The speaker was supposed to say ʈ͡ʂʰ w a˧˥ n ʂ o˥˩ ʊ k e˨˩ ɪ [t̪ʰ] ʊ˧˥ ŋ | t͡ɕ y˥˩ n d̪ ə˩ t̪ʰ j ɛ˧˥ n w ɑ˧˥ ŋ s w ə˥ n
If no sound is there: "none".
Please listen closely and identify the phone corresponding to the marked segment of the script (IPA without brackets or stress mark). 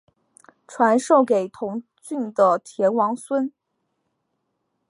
t̪ʰ